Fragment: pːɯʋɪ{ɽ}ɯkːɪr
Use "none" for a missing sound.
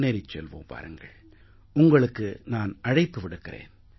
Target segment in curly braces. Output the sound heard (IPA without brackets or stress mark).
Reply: ɽ